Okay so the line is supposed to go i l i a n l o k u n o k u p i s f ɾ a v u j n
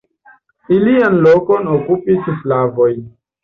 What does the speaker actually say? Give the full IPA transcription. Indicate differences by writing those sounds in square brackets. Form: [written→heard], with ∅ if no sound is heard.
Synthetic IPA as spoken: i l i a n l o k [u→o] n o k u p i s f [ɾ→l] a v [u→o] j n